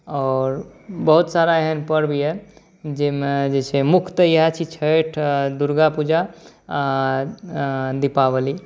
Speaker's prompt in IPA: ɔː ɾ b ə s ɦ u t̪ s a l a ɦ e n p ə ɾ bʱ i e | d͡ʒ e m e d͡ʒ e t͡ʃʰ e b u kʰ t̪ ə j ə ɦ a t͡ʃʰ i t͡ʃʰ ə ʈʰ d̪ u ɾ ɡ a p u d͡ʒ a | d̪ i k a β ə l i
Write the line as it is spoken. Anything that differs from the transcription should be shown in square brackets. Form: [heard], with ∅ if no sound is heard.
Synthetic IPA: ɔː ɾ b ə [∅] ɦ u t̪ s a [ɾ] a ɦ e n p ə ɾ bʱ i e | d͡ʒ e m e d͡ʒ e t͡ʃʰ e [m] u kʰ t̪ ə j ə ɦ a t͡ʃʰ i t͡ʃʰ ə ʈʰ d̪ u ɾ ɡ a p u d͡ʒ a | d̪ i [p] a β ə l i